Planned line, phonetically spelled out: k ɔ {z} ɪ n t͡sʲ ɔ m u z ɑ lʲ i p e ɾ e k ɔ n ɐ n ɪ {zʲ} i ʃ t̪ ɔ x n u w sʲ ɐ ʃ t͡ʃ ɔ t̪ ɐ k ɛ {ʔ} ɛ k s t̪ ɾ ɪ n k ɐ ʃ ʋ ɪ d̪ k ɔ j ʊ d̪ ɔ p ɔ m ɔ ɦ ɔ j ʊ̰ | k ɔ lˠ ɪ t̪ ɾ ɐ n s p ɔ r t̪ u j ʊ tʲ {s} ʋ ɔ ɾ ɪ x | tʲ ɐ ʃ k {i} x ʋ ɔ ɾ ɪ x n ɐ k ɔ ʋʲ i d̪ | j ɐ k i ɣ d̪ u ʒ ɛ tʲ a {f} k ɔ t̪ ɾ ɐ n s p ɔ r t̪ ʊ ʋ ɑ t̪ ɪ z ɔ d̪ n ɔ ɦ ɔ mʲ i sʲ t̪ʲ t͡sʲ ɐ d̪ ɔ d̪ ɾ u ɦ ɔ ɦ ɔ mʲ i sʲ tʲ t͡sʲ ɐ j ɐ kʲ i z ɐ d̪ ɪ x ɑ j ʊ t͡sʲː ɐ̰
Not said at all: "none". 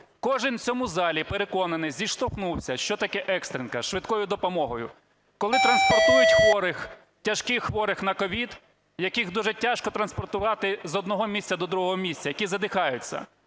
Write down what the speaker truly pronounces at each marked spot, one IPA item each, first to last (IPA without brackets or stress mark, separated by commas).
ʒ, zʲ, ʔ, x, ɪ, ʃ